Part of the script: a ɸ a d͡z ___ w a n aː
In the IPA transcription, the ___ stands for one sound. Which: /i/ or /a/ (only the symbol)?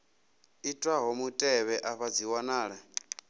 i